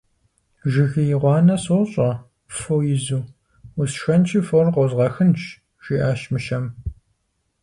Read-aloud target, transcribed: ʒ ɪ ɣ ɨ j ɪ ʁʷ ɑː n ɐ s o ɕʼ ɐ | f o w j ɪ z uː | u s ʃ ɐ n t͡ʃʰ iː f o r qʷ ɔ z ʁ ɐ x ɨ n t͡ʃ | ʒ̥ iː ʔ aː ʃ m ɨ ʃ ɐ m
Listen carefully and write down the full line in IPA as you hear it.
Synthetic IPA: ʒ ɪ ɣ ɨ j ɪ ʁʷ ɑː n ɐ s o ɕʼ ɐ | f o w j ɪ z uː | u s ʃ ɐ n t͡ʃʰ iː f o r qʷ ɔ z ʁ ɐ x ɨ n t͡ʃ | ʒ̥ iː ʔ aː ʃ m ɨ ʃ ɐ m